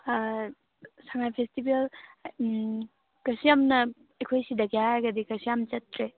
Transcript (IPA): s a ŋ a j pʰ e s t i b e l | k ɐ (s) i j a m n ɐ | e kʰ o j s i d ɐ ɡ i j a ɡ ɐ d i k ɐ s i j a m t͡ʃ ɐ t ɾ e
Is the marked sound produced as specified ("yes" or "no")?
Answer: yes